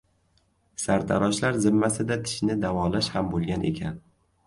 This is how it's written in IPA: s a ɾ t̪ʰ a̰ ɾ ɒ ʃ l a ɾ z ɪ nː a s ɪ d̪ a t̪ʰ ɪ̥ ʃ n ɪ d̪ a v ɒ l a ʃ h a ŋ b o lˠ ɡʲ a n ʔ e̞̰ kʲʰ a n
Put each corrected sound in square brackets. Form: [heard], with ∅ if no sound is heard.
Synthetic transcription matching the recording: s a ɾ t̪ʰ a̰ ɾ ɒ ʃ l a ɾ z ɪ [mː] a s ɪ d̪ a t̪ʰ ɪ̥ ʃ n ɪ d̪ a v ɒ l a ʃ h a [m] b o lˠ ɡʲ a n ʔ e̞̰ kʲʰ a n

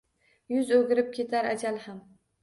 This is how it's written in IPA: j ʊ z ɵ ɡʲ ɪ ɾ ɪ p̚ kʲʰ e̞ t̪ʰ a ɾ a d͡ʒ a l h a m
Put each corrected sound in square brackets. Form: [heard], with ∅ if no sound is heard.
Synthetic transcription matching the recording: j ʊ z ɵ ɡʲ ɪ ɾ ɪ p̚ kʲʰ e̞ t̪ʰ a ɾ a d͡ʒ a l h a m

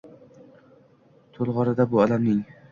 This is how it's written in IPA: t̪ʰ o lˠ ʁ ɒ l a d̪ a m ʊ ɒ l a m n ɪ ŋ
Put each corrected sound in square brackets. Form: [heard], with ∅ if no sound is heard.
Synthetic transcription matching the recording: t̪ʰ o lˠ ʁ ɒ [ɾ] a d̪ a [b] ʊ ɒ l a m n ɪ ŋ

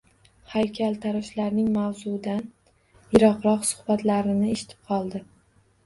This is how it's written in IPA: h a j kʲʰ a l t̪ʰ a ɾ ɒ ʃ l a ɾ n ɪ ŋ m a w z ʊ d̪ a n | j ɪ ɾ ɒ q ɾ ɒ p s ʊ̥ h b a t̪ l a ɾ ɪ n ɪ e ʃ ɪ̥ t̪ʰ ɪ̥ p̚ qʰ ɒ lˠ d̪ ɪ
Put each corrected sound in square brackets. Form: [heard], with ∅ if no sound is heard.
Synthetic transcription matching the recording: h a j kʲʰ a l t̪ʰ a ɾ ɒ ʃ l a ɾ n ɪ ŋ m a w z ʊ d̪ a n | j ɪ ɾ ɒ q ɾ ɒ [q] s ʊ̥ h b a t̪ l a ɾ ɪ n ɪ e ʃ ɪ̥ t̪ʰ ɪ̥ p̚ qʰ ɒ lˠ d̪ ɪ

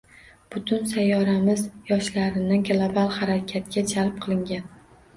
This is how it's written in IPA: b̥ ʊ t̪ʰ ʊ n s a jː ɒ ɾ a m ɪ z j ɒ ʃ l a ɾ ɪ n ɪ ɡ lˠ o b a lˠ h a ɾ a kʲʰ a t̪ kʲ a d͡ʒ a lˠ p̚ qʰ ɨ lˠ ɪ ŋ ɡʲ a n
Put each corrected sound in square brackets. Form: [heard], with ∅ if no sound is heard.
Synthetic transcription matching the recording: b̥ ʊ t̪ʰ ʊ n s a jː ɒ ɾ a m ɪ z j ɒ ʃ l a ɾ ɪ n ɪ ɡ lˠ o b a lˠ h a ɾ a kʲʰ a t̪ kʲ a d͡ʒ a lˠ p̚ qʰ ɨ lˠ ɪ ŋ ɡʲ a n

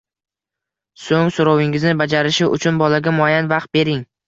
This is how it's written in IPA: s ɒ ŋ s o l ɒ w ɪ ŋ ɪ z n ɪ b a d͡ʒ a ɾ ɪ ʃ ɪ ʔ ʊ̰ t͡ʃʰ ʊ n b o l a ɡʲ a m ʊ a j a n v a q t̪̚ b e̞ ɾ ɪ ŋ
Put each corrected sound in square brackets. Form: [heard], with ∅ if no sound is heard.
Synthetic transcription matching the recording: s [o] ŋ s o [ɾ] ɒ w ɪ ŋ ɪ z n ɪ b a d͡ʒ a ɾ ɪ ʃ ɪ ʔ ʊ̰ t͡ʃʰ ʊ n b [ɒ] l a ɡʲ a m ʊ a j a n v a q t̪̚ b e̞ ɾ ɪ ŋ

